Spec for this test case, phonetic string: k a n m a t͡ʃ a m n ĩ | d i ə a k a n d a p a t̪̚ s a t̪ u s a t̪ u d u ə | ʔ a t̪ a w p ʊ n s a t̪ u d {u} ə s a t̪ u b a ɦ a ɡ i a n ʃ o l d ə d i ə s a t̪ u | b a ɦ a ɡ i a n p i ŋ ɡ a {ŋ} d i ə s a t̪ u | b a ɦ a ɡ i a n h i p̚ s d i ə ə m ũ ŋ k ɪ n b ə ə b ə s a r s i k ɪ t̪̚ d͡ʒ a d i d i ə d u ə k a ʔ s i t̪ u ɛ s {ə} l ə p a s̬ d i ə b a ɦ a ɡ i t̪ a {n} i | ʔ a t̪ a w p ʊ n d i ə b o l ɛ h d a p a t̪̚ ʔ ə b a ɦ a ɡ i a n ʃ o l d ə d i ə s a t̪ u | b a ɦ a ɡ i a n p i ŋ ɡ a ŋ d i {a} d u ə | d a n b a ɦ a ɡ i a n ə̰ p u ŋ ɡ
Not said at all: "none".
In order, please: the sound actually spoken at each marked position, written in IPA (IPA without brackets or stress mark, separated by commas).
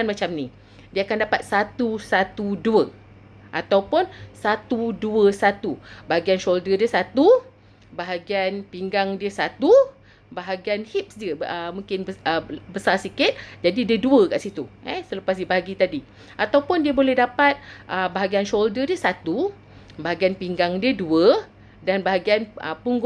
u, ŋ, ə, d, ə